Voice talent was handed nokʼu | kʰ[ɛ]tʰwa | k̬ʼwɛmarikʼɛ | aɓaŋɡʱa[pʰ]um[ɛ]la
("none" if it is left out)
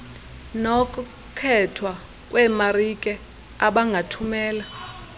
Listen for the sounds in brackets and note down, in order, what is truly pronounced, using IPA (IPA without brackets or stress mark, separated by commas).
ɛ, tʰ, ɛː